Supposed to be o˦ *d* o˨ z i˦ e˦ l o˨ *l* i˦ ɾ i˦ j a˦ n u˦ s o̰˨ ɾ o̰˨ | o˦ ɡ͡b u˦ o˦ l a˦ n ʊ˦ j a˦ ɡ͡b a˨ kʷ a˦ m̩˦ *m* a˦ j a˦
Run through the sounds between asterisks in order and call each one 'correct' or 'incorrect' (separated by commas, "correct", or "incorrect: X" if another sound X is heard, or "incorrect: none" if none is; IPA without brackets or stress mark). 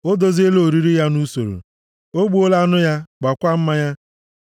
correct, incorrect: ɾ, correct